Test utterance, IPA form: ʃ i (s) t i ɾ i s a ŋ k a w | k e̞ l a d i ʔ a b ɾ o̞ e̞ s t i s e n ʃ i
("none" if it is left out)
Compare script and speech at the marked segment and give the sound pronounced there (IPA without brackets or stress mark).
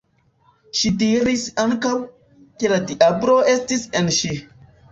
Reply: none